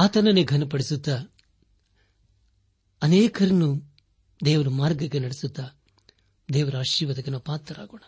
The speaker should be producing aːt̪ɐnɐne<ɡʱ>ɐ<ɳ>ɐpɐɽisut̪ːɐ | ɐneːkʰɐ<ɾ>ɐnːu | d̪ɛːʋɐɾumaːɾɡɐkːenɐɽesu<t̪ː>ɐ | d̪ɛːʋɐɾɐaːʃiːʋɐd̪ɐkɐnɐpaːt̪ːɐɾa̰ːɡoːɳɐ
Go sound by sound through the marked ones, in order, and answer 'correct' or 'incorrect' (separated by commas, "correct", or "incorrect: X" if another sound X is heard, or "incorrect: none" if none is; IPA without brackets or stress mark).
correct, incorrect: n, correct, correct